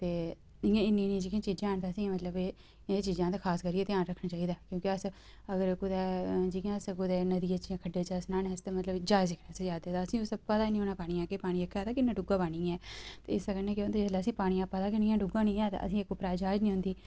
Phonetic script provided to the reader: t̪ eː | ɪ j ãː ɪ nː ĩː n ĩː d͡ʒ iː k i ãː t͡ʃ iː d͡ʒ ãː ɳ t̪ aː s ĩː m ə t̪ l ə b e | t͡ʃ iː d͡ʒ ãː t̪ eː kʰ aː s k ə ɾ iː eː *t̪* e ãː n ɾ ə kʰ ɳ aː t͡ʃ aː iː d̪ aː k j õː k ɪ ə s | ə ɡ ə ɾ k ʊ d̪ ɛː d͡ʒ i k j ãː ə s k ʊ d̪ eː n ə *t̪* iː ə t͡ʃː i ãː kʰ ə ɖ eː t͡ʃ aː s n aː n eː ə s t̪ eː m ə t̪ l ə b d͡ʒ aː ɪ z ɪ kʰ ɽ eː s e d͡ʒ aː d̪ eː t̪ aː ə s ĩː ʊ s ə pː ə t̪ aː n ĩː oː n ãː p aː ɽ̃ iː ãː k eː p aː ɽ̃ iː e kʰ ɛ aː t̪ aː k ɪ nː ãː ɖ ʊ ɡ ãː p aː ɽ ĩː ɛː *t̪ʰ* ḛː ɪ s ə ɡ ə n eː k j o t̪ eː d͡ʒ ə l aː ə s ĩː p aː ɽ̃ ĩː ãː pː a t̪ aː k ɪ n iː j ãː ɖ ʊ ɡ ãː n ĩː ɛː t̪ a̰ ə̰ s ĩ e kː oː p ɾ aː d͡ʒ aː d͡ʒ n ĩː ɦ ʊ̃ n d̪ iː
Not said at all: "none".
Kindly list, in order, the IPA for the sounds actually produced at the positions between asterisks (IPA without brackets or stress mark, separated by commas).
t̪, d̪, t̪